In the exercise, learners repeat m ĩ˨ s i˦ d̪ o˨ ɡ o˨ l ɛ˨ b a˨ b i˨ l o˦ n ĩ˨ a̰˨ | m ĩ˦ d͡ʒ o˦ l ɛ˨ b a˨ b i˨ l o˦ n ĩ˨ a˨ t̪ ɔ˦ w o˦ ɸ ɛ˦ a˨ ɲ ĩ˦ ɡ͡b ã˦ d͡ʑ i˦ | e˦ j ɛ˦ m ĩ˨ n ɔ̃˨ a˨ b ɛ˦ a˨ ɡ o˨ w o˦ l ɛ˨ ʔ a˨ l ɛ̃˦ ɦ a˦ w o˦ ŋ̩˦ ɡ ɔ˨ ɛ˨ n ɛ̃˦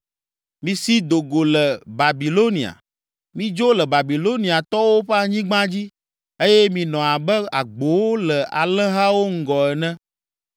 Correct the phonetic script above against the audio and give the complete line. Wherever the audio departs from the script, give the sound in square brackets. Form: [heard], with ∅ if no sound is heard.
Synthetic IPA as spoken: m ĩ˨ s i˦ d̪ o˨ ɡ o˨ l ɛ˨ b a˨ b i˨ l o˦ n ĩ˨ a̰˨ | m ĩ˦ d͡ʒ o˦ l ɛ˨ b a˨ b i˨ l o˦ n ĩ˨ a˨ t̪ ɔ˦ w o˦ ɸ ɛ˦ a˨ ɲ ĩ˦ ɡ͡b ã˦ d͡ʑ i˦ | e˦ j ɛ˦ m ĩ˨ n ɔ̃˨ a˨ b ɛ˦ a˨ [ɡ͡b] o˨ w o˦ l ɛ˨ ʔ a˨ l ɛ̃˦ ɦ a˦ w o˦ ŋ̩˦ ɡ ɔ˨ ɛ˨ n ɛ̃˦